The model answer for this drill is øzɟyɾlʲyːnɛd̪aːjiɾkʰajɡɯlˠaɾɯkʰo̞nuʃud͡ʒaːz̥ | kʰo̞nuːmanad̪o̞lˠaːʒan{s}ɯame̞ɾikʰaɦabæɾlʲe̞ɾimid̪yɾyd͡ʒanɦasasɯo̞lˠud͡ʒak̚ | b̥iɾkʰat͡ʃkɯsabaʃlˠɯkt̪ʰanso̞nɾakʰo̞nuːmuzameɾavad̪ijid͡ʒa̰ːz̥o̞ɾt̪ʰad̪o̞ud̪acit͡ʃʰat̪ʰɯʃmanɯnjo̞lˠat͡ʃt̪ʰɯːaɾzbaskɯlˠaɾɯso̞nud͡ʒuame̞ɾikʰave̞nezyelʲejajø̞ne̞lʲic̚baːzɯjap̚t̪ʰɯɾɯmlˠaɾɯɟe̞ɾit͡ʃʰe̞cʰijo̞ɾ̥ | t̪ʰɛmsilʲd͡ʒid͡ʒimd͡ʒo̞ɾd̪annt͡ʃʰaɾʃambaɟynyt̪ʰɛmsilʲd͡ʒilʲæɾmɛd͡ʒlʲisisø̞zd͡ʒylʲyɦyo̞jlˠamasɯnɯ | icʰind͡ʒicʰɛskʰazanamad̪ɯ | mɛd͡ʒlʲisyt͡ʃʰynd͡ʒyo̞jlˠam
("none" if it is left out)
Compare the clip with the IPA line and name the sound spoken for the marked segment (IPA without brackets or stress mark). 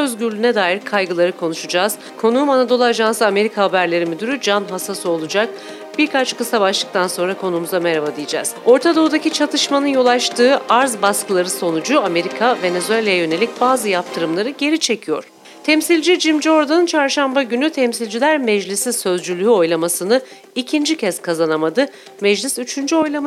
s